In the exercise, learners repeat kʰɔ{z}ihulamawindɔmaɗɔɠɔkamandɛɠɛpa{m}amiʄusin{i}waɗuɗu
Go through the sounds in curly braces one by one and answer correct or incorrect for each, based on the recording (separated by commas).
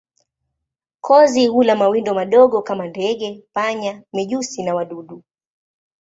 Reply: correct, incorrect, incorrect